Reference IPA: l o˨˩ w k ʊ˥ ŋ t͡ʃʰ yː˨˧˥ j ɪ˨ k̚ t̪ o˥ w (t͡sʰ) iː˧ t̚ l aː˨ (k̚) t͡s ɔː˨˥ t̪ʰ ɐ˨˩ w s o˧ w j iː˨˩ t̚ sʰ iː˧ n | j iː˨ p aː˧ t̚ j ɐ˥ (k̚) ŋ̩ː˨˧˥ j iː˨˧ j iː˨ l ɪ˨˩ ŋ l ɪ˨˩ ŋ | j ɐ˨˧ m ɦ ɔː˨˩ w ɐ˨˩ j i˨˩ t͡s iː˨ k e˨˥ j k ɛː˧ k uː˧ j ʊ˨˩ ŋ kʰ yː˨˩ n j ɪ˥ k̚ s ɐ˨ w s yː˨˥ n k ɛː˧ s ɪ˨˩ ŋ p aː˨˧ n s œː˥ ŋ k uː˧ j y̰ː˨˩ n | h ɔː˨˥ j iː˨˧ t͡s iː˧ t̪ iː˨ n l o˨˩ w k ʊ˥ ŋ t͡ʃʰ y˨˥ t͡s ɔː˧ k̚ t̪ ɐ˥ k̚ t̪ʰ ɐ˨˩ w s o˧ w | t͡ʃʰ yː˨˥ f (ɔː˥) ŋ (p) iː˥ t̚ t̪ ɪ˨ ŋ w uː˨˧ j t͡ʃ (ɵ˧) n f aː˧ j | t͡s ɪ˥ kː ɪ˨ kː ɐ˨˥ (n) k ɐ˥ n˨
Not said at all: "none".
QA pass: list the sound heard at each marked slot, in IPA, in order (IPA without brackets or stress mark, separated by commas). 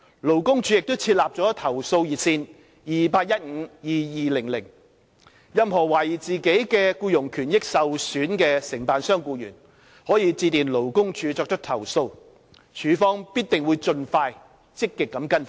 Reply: t͡sʰ, p̚, t̚, ɔː˥, p, ɵ˧, m